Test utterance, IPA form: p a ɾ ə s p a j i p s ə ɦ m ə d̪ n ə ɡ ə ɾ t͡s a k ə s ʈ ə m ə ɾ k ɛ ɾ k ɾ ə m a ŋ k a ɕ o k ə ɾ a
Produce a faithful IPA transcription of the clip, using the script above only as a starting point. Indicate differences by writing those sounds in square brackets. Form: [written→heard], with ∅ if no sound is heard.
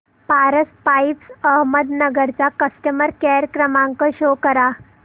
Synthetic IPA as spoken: p a ɾ ə s p a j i p s ə ɦ m ə d̪ n ə ɡ ə ɾ t͡s a k ə s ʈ ə m ə ɾ k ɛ ɾ k ɾ ə m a ŋ k [a→ə] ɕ o k ə ɾ a